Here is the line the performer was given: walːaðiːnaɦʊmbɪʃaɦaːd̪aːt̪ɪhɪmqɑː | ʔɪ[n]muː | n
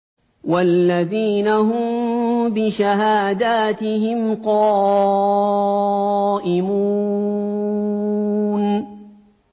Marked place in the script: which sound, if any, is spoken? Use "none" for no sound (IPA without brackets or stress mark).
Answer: none